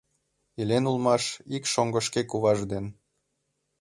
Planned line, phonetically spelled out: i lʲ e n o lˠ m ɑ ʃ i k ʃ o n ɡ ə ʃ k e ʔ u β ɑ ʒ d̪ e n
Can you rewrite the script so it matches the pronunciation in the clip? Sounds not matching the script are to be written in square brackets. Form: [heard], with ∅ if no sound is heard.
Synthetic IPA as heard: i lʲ e n [u] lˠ m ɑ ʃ i k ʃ o [ŋ] ɡ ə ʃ k e [k] u β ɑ ʒ d̪ e n